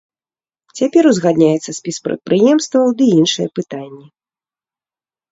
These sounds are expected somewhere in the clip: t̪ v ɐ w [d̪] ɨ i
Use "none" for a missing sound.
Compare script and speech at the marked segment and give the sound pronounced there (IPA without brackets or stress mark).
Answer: d̪